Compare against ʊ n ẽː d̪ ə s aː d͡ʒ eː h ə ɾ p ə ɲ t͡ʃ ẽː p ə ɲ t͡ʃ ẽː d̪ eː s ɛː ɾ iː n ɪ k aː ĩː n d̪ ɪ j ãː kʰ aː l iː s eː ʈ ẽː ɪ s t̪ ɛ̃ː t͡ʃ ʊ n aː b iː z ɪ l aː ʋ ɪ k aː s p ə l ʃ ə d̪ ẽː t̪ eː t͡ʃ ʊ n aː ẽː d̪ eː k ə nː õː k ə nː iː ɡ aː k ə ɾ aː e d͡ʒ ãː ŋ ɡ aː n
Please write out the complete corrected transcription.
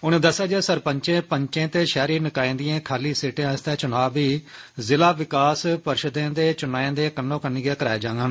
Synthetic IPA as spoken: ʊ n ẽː d̪ ə s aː d͡ʒ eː s ə ɾ p ə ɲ t͡ʃ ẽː p ə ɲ t͡ʃ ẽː t̪ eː ʃ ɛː ɾ iː n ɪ k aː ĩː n d̪ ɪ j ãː kʰ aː l iː s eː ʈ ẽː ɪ s t̪ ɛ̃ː t͡ʃ ʊ n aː b iː z ɪ l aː ʋ ɪ k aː s p ə ɾ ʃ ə d̪ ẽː d̪ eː t͡ʃ ʊ n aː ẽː d̪ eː k ə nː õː k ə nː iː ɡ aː k ə ɾ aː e d͡ʒ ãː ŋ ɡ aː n